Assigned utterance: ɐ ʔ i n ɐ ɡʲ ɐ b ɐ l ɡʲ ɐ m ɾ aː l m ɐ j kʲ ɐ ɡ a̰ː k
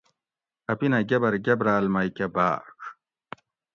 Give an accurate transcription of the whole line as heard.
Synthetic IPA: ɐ p i n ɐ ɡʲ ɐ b ɐ ɾ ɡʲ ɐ b ɾ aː l m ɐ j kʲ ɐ b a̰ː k